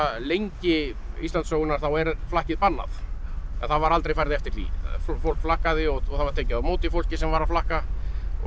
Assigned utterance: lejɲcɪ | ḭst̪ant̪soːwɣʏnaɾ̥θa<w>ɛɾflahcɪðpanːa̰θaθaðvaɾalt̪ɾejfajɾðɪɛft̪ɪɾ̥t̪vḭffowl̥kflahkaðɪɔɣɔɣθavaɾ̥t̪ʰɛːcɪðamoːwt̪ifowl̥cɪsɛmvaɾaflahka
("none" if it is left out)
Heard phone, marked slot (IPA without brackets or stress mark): w